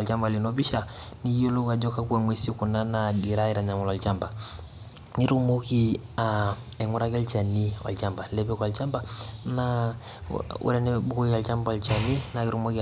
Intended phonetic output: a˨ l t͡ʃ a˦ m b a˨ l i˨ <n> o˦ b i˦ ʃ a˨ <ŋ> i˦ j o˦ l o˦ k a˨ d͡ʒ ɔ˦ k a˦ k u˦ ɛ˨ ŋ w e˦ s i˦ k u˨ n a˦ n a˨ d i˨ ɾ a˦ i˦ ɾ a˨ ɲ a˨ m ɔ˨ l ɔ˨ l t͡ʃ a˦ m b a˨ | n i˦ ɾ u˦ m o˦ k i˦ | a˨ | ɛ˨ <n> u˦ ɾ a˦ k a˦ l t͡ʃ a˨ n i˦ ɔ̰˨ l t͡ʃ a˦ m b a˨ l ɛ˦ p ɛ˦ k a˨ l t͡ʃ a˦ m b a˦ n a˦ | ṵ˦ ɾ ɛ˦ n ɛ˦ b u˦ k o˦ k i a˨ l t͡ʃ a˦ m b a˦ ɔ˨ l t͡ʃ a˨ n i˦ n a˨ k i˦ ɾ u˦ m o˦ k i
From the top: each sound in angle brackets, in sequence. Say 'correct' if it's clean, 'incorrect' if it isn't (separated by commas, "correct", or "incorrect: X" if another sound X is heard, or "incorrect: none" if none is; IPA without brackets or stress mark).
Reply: correct, incorrect: n, incorrect: ŋ